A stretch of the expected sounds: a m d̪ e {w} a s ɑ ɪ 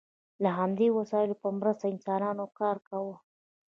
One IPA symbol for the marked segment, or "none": w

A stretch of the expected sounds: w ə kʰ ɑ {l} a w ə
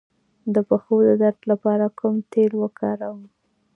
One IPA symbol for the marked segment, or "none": ɾ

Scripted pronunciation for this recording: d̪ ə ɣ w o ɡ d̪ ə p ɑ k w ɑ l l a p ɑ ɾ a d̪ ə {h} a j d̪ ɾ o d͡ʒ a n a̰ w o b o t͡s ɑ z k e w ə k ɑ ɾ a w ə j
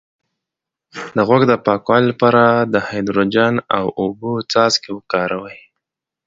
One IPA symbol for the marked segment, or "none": h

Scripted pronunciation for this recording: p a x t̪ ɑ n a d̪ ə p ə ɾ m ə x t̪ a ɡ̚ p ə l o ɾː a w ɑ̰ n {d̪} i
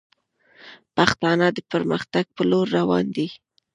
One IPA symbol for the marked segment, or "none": d̪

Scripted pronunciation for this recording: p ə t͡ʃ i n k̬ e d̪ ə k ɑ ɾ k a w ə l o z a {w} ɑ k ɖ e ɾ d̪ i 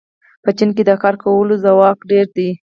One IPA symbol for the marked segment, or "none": w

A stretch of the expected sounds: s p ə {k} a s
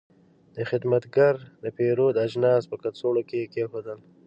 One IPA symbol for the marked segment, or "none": k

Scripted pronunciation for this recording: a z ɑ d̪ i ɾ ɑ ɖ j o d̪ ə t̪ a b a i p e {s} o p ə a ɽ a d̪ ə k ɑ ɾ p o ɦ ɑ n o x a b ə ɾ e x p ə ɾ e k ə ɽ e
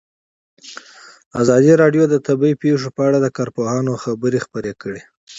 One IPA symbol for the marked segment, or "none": ʂ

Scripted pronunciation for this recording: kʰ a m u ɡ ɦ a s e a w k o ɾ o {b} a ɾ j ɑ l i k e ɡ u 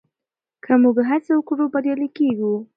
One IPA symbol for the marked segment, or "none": b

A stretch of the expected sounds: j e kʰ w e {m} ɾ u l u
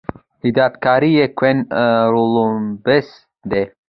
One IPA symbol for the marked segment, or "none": n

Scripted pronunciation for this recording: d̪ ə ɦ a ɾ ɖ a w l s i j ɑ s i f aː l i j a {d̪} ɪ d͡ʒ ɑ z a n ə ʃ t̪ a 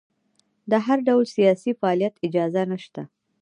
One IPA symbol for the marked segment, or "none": t̪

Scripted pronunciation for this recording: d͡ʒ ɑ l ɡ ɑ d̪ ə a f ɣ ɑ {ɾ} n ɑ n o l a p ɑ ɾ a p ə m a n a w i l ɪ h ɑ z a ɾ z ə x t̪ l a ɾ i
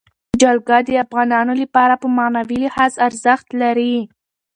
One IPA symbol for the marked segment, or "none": none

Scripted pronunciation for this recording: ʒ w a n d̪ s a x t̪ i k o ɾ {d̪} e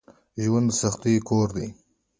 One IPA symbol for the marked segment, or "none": d̪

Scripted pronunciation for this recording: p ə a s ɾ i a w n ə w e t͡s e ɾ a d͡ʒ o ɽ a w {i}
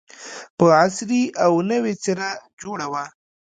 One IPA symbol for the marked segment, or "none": a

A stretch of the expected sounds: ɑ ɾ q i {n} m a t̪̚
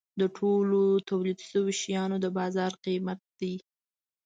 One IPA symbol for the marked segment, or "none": none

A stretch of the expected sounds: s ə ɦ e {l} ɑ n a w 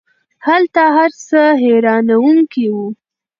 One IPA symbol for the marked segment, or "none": ɾ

